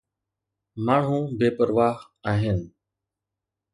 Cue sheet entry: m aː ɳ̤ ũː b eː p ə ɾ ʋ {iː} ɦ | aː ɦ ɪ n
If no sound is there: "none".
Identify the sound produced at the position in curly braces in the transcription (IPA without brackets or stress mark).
aː